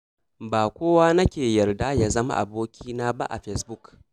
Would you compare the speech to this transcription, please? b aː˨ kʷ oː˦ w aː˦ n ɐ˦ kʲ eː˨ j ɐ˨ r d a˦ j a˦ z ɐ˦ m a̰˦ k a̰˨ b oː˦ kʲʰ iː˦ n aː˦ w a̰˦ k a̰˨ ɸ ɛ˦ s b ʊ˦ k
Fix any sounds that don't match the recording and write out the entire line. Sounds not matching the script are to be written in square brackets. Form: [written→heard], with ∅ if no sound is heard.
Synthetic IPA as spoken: b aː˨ kʷ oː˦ w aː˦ n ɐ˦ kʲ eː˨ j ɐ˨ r d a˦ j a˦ z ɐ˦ m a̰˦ [k→ʔ] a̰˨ b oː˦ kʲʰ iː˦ n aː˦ [w→b] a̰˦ [k→ʔ] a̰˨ ɸ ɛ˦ s b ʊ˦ k